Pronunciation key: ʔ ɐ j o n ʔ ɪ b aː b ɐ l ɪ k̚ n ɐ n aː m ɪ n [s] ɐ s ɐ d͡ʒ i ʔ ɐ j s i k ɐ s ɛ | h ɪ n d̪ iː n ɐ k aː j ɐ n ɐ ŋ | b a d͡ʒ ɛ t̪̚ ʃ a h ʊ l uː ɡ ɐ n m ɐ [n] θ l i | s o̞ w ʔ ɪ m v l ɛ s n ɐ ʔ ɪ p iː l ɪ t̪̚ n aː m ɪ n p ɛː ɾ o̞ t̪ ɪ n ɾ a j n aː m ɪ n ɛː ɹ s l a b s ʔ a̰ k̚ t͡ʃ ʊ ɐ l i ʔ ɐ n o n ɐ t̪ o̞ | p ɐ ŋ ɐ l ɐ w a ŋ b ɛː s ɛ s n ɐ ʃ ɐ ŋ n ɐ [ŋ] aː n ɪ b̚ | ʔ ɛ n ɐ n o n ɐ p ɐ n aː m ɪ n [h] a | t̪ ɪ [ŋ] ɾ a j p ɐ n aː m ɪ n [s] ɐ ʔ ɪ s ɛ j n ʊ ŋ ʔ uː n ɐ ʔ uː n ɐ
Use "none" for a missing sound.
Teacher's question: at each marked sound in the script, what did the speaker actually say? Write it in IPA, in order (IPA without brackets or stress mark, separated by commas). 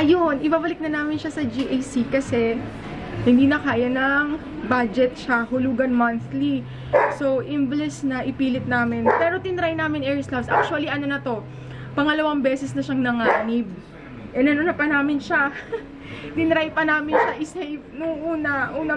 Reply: ʃ, n, ŋ, ʃ, n, ʃ